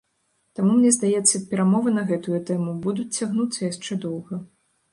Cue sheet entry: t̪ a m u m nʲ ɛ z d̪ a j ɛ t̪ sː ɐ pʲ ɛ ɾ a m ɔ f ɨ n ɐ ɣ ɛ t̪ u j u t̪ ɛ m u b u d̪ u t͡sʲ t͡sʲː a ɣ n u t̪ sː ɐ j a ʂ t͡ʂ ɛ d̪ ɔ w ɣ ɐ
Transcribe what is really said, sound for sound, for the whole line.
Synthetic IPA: t̪ a m u m nʲ ɛ z d̪ a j ɛ t̪ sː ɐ pʲ ɛ ɾ a m ɔ v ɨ n ɐ ɣ ɛ t̪ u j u t̪ ɛ m u b u d̪ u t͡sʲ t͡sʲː a ɣ n u t̪ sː ɐ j a ʂ t͡ʂ ɛ d̪ ɔ w ɣ ɐ